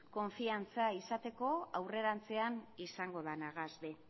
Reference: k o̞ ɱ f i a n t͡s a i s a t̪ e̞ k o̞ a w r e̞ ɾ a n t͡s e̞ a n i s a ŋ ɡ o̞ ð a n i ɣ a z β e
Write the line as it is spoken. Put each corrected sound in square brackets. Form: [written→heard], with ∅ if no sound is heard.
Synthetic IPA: k o̞ ɱ f i a n t͡s a i s a t̪ e̞ k o̞ a w r e̞ ɾ a n t͡s e̞ a n i s a ŋ ɡ o̞ ð a n [i→a] ɣ a z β e